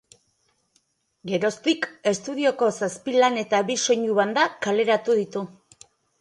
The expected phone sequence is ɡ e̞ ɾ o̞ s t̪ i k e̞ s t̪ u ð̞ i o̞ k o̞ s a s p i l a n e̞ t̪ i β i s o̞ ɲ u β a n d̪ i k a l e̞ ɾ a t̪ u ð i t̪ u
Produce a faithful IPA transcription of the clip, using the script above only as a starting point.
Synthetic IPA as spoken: ɡ e̞ ɾ o̞ s t̪ i k e̞ s t̪ u ð̞ i o̞ k o̞ s a s p i l a n e̞ t̪ a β i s o̞ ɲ u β a n d̪ a k a l e̞ ɾ a t̪ u ð i t̪ u